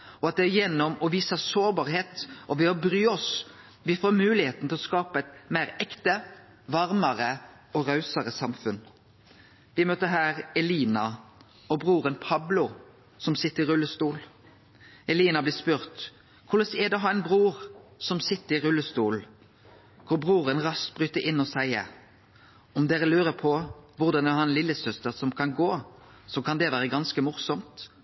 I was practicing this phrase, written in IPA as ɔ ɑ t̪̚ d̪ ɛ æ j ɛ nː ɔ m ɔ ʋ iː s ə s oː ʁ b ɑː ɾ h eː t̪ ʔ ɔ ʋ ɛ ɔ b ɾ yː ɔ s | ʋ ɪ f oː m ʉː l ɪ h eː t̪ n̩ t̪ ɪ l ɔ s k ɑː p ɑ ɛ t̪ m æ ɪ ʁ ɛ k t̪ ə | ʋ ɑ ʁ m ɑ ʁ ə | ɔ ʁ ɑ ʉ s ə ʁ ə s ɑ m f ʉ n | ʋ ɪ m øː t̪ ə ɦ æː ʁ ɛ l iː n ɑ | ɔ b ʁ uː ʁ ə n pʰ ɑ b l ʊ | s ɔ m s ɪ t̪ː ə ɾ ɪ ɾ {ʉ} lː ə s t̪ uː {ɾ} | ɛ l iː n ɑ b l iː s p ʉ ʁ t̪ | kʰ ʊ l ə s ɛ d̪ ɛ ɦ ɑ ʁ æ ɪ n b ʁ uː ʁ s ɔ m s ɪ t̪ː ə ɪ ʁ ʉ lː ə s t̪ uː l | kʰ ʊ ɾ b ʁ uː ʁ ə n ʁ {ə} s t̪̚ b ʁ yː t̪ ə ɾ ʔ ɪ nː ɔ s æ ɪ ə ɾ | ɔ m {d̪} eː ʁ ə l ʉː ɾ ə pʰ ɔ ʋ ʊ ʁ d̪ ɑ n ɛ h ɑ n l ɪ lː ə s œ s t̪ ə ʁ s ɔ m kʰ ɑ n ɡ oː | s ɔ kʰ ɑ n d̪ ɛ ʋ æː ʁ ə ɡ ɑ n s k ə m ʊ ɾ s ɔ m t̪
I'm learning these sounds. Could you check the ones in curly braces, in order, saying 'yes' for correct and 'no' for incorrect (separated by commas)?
yes, no, no, yes